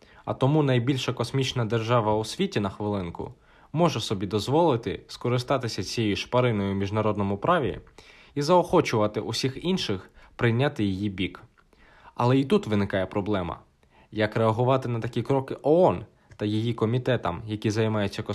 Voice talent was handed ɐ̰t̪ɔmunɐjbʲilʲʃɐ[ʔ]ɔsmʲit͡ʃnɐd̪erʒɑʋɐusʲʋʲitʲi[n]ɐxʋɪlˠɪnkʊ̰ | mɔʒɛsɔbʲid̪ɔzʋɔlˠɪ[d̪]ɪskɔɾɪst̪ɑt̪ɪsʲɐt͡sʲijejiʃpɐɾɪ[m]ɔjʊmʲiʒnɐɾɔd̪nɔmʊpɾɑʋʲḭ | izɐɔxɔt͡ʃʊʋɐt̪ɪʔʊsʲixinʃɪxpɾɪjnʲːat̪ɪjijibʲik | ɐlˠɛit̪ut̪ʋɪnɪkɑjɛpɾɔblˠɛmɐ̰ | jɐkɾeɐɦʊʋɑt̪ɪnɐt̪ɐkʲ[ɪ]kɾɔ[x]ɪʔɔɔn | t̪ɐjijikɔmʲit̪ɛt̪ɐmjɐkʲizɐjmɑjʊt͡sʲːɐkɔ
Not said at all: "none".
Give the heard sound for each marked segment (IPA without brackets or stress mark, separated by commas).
k, n, t̪, n, i, k